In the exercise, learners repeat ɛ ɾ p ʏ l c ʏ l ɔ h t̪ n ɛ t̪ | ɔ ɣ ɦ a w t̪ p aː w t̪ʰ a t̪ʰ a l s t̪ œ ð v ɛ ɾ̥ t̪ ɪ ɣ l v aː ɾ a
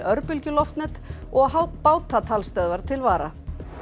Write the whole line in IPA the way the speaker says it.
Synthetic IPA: œ ɾ p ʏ l c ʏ l ɔ f t̪ n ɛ t̪ | ɔ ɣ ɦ a w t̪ p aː w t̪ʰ a t̪ʰ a l s t̪ œ ð v a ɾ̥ t̪ʰ ɪ l v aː ɾ a